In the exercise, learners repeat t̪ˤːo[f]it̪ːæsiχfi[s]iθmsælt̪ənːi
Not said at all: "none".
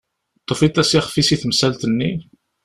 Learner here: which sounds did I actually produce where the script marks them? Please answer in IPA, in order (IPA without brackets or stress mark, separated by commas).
f, s